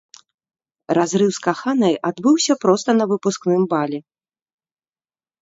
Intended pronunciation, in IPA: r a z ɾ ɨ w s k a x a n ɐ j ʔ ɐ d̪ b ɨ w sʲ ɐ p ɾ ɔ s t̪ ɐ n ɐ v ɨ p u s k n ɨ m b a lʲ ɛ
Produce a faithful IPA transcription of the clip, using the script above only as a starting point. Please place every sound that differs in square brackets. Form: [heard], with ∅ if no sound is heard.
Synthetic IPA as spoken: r a z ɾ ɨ w s k a x a n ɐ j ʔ [a] d̪ b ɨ w sʲ ɐ p ɾ ɔ s t̪ ɐ n ɐ v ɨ p u s k n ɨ m b a lʲ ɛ